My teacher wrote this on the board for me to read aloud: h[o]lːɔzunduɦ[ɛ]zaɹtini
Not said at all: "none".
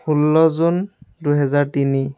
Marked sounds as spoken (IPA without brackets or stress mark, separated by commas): u, ɛ